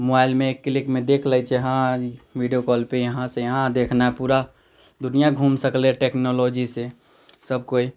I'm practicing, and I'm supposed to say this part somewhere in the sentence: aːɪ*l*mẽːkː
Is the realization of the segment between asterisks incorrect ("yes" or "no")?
no